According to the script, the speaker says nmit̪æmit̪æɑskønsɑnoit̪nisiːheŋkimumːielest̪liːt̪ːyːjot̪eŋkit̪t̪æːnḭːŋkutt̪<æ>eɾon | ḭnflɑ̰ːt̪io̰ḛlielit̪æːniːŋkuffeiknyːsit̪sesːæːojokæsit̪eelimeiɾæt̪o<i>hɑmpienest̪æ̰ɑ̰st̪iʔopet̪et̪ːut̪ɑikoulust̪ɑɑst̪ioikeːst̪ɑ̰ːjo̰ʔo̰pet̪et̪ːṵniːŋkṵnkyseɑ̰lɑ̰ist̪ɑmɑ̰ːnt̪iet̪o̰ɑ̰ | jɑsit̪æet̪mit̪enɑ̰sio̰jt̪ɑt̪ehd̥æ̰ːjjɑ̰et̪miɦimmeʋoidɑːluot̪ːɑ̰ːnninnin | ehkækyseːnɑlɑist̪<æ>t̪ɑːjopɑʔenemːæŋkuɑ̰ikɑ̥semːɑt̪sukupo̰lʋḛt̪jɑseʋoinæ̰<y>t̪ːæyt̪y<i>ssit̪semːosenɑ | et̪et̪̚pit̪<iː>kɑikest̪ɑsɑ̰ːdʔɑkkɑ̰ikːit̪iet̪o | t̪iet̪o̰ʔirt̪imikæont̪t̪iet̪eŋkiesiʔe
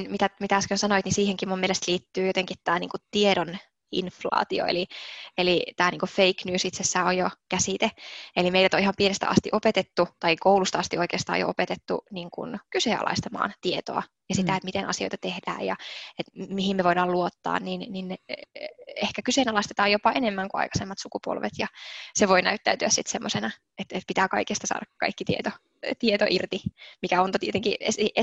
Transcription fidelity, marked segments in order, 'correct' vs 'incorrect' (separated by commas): incorrect, correct, incorrect, correct, incorrect, incorrect